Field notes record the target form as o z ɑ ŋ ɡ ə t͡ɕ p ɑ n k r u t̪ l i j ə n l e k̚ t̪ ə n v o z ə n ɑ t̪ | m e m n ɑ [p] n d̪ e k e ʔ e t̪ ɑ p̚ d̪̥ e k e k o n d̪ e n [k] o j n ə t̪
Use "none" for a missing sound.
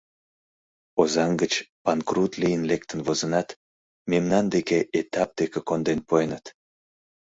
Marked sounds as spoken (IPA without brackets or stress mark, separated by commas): none, p